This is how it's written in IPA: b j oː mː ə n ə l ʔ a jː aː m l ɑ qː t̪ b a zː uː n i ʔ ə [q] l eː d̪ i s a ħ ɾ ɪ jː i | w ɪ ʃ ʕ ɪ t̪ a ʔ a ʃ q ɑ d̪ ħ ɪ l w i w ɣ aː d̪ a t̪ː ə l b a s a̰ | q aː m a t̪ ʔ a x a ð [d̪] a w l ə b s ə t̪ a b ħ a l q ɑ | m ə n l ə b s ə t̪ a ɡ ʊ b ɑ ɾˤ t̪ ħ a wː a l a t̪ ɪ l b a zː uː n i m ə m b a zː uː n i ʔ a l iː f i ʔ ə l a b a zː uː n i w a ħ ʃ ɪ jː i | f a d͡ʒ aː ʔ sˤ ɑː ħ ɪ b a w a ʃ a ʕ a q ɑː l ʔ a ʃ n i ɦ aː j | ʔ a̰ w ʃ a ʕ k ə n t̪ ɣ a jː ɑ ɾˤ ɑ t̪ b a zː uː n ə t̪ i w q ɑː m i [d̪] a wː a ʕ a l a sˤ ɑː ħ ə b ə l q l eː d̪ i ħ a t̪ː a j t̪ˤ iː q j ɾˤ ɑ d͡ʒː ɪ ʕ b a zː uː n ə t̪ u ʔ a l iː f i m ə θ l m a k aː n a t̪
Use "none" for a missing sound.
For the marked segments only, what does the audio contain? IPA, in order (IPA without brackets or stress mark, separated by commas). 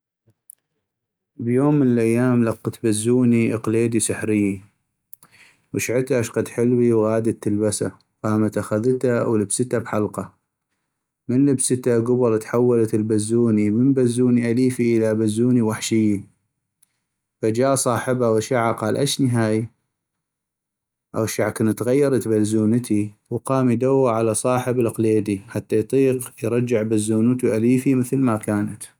q, t̪, d̪